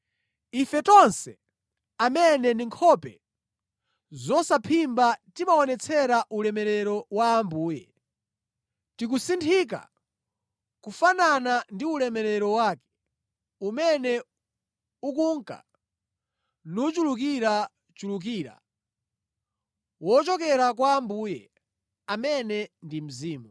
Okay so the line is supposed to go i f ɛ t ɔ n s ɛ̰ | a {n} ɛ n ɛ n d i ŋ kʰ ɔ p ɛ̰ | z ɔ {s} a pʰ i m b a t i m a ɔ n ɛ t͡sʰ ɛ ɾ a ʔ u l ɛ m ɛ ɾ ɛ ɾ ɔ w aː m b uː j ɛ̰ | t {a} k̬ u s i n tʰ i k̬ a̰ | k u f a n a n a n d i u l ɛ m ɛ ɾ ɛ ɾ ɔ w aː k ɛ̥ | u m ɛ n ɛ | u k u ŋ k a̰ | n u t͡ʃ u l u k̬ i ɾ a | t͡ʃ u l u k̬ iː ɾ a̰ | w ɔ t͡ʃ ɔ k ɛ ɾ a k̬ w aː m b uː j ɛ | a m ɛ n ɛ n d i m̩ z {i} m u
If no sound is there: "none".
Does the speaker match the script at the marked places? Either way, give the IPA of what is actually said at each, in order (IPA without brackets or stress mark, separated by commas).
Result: m, s, i, iː